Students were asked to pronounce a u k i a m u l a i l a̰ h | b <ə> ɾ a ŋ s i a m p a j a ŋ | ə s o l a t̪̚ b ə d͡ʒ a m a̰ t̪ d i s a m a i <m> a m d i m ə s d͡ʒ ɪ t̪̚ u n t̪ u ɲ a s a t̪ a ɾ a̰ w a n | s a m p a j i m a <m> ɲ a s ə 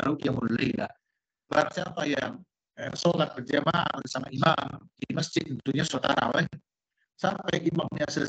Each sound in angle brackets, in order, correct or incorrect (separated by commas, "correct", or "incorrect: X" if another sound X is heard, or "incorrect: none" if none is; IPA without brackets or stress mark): incorrect: a, correct, correct